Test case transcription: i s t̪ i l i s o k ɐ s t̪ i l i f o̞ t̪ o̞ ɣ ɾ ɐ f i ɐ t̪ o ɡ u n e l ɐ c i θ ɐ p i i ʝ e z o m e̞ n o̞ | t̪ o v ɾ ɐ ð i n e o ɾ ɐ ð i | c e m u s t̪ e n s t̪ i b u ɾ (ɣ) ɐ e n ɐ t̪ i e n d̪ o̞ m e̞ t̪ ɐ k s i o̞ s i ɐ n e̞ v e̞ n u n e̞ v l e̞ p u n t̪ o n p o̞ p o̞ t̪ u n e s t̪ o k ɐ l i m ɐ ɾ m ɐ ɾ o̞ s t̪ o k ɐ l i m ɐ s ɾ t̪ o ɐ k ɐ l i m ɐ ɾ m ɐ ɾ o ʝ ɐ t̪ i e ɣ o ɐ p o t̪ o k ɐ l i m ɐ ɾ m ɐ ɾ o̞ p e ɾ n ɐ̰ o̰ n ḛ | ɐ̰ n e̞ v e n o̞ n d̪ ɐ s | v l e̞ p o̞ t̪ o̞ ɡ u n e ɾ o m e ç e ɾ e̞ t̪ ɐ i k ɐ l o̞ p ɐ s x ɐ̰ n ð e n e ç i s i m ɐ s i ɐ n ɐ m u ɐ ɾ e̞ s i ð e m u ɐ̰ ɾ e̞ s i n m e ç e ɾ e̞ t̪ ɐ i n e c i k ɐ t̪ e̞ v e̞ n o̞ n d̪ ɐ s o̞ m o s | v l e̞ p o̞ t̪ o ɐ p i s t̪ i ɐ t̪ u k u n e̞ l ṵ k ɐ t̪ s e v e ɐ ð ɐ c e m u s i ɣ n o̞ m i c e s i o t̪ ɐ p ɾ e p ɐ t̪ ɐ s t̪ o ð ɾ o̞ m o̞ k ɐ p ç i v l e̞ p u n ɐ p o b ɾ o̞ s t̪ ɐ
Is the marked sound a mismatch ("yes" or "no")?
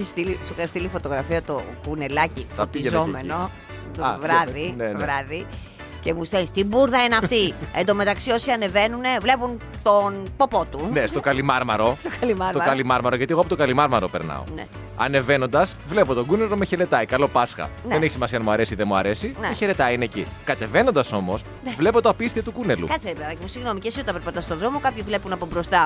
yes